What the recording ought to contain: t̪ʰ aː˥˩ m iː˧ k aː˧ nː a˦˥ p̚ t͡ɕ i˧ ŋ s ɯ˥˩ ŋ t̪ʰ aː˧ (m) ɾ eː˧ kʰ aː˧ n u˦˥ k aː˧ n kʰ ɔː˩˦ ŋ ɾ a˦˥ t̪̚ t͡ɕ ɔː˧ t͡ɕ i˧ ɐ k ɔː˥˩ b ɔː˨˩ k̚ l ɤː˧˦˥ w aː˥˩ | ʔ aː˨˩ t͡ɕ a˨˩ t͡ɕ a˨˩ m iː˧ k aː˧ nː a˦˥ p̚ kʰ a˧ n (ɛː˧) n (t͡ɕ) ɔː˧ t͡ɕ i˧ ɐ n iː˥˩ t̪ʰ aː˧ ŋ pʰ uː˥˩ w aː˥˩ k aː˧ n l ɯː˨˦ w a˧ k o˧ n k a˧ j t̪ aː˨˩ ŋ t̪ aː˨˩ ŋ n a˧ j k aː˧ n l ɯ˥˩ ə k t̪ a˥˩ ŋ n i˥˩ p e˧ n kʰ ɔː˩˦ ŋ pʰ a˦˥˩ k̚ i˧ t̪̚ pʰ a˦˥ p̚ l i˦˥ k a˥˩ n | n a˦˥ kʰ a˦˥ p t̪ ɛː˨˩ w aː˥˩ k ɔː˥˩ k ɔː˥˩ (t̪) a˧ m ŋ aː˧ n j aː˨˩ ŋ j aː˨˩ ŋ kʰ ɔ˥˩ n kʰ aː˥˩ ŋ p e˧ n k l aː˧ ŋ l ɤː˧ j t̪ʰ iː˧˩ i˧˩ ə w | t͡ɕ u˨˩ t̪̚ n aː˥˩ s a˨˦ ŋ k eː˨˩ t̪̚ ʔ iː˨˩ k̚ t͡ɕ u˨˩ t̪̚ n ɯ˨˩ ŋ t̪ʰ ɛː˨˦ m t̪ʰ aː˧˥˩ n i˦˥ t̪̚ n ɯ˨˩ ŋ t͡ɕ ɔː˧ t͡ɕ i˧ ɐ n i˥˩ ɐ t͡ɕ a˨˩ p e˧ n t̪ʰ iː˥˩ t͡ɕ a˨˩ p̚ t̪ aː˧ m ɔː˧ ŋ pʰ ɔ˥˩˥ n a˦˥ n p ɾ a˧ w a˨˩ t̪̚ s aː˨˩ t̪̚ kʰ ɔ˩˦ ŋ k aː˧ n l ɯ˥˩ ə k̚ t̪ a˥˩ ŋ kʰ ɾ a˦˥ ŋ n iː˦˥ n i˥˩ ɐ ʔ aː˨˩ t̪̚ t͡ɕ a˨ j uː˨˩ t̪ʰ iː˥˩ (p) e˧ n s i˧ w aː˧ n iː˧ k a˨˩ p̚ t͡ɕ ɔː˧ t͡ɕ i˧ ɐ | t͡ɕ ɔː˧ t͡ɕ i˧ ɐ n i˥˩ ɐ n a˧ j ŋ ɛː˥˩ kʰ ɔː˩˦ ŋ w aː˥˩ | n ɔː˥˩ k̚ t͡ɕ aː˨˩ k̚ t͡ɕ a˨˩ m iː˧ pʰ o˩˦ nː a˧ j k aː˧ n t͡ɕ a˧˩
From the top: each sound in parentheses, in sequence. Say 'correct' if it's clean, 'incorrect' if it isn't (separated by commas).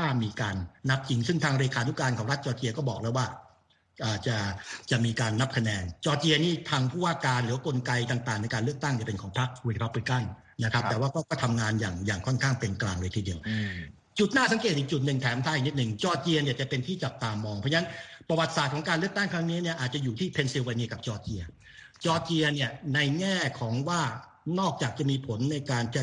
incorrect, correct, correct, incorrect, incorrect